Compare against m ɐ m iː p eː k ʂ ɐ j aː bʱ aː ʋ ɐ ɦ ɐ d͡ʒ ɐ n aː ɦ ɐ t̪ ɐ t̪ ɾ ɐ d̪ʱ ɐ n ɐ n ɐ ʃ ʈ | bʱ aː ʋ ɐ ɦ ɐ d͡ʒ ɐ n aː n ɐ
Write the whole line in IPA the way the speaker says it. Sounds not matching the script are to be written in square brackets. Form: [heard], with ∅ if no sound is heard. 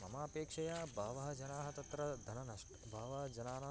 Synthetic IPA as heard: m ɐ m [aː] p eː k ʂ ɐ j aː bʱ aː ʋ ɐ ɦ ɐ d͡ʒ ɐ n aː ɦ ɐ t̪ ɐ t̪ ɾ ɐ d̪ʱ ɐ n ɐ n ɐ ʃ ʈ | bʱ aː ʋ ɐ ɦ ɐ d͡ʒ ɐ n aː n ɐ